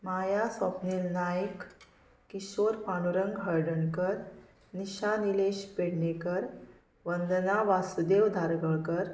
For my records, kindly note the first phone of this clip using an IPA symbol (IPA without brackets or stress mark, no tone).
m